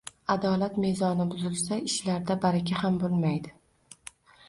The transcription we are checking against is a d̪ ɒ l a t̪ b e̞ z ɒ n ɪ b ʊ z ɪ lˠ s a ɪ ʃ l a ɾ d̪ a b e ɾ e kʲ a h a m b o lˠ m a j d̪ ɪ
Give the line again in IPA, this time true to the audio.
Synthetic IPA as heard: a d̪ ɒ l a t̪ m e̞ z ɒ n ɪ b ʊ z ɪ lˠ s a ɪ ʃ l a ɾ d̪ a b a ɾ a kʲ a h a m b o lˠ m a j d̪ ɪ